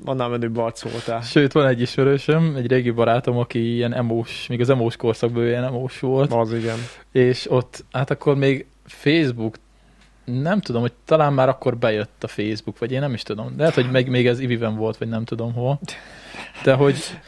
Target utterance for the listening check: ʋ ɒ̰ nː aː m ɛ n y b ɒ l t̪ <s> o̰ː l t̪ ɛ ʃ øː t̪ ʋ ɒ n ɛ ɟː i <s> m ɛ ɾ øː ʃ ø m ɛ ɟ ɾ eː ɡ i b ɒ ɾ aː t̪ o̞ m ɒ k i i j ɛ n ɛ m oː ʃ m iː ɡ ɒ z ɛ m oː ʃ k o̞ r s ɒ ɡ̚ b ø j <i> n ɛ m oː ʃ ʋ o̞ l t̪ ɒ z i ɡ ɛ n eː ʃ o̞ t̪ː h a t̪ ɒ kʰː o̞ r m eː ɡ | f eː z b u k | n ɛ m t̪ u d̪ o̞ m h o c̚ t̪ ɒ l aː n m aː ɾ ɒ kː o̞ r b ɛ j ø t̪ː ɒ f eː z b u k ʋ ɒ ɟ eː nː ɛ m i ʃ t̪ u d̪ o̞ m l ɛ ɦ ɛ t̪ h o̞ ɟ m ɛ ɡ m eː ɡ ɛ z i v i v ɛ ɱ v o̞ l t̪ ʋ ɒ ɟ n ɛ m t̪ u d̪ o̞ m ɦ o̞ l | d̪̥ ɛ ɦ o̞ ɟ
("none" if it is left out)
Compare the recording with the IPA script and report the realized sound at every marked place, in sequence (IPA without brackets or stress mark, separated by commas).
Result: s, ʃ, ɛ